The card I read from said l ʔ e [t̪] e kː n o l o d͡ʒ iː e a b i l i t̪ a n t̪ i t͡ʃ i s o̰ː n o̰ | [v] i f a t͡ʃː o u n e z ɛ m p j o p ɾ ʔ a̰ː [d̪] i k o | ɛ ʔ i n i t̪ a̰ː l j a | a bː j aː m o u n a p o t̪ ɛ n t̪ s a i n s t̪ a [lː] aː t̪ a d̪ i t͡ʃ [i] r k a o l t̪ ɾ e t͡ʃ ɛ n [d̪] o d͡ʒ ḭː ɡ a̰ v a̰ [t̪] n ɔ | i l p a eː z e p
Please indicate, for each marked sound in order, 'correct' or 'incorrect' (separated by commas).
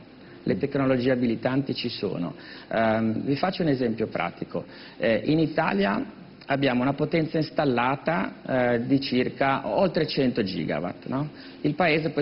correct, correct, incorrect, correct, correct, incorrect, correct